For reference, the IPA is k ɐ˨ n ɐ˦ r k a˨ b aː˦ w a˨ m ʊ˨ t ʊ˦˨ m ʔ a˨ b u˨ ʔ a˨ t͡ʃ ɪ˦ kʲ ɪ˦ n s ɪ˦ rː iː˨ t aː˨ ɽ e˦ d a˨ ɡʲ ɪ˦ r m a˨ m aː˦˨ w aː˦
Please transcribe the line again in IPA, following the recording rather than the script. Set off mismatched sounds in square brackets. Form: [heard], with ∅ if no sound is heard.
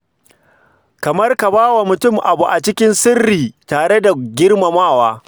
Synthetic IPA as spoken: k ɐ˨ [m] ɐ˦ r k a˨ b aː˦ w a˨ m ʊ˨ t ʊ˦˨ m ʔ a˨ b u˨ ʔ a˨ t͡ʃ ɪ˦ kʲ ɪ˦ n s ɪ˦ rː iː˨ t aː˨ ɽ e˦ d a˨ ɡʲ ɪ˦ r m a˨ m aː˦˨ w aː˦

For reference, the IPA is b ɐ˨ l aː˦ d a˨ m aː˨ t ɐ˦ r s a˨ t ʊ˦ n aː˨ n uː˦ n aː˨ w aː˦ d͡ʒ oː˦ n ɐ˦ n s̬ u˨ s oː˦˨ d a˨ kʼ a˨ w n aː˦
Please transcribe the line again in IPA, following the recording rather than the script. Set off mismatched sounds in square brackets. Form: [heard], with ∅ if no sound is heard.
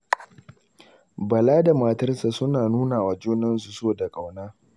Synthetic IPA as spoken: b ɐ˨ l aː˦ d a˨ m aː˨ t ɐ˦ r s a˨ [s] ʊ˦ n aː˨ n uː˦ n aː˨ w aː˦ d͡ʒ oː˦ n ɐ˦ n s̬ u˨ s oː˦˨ d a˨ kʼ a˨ w n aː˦

